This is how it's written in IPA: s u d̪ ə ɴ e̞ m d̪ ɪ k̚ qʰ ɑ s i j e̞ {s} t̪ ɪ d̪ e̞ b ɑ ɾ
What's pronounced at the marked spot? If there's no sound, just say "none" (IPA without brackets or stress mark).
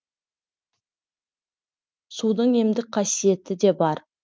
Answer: none